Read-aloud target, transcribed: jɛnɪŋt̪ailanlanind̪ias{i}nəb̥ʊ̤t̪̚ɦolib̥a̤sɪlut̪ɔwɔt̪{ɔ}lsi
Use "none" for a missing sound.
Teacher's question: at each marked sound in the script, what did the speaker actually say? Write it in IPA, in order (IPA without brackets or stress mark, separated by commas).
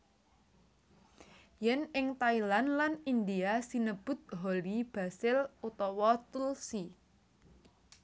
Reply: i, u